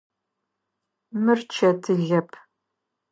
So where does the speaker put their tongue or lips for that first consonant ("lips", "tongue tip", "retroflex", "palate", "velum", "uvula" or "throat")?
lips